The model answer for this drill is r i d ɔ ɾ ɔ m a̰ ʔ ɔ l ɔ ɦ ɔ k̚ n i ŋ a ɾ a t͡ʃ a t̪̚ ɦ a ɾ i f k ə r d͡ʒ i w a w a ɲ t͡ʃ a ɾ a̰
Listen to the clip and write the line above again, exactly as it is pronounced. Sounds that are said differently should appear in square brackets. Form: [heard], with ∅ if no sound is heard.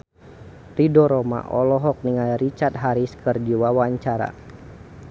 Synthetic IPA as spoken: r i d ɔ ɾ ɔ m a̰ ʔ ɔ l ɔ ɦ ɔ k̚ n i ŋ a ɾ [i] t͡ʃ a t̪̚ ɦ a ɾ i [s] k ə r d͡ʒ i w a w a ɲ t͡ʃ a ɾ a̰

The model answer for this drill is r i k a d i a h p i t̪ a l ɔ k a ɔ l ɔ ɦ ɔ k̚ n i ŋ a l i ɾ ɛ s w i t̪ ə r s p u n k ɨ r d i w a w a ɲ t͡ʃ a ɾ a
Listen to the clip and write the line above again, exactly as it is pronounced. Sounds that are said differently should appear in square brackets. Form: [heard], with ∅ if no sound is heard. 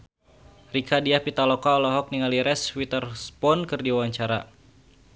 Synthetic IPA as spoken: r i k a d i a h p i t̪ a l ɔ k a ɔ l ɔ ɦ ɔ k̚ n i ŋ a l i ɾ ɛ s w i t̪ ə r s p [ɔ] n k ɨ r d i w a w a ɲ t͡ʃ a ɾ a

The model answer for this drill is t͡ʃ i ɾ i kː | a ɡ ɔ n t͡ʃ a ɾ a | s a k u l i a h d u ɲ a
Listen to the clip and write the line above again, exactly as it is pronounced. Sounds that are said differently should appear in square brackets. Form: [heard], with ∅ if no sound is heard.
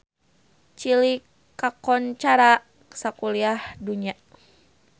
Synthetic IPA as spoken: t͡ʃ i [l] i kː | a [k] ɔ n t͡ʃ a ɾ a | s a k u l i a h d u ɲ a

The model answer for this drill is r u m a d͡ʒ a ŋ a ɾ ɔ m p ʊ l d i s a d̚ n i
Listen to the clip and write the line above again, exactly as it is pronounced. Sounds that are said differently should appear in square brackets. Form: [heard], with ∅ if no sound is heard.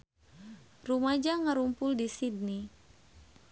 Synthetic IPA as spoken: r u m a d͡ʒ a ŋ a ɾ [u] m p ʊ l d i s [i] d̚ n i

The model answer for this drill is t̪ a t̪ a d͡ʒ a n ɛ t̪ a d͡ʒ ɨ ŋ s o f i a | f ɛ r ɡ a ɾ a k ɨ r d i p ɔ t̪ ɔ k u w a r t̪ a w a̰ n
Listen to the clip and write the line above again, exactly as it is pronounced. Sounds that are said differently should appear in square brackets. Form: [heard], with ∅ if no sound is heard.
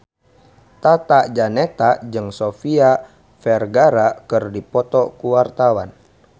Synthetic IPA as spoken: t̪ a t̪ a d͡ʒ a n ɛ t̪ a d͡ʒ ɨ ŋ s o f i a | f ɛ r ɡ a ɾ a k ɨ r d i p ɔ t̪ ɔ k u w a r t̪ a w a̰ n

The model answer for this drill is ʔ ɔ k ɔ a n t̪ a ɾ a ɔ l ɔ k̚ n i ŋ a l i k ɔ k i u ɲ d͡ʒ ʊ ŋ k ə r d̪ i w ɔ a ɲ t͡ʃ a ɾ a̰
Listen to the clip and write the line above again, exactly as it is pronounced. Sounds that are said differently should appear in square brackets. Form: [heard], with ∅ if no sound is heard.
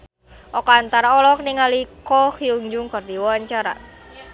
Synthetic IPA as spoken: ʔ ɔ k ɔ a n t̪ a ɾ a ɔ l ɔ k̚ n i ŋ a l i k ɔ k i u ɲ d͡ʒ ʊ ŋ k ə r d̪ i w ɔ a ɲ t͡ʃ a ɾ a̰

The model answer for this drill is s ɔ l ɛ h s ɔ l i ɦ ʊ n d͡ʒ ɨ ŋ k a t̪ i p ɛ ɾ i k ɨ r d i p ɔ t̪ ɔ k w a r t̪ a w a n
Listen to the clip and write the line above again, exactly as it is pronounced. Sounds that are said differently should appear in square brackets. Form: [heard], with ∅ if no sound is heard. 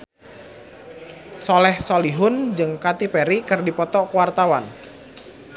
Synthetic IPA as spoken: s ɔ l ɛ h s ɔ l i ɦ ʊ n d͡ʒ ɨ ŋ k a t̪ i p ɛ ɾ i k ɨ r d i p ɔ t̪ ɔ k w a r t̪ a w a n

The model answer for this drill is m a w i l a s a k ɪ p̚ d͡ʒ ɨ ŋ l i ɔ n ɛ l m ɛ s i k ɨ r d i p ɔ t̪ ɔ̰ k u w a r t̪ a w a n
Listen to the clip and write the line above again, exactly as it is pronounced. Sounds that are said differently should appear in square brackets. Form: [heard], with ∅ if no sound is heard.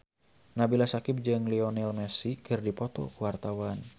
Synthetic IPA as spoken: [n] a [b] i l a s a k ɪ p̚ d͡ʒ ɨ ŋ l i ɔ n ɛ l m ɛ s i k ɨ r d i p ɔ t̪ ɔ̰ k u w a r t̪ a w a n

